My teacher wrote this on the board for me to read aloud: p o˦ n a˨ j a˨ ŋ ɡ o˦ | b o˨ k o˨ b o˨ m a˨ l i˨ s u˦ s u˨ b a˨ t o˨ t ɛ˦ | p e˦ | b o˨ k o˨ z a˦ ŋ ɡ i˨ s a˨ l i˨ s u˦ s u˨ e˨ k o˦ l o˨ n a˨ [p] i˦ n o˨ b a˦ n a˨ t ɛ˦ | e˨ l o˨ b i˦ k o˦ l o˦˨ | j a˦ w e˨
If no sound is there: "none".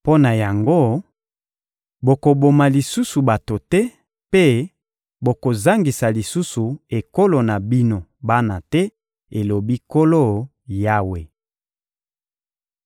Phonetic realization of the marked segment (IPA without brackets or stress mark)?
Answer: b